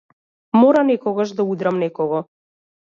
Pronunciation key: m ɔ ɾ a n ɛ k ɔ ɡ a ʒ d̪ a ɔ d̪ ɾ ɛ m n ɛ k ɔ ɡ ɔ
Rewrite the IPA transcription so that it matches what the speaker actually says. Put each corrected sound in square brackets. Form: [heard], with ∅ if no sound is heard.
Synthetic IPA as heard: m ɔ ɾ a n ɛ k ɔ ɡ a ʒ d̪ a [u] d̪ ɾ [a] m n ɛ k ɔ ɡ ɔ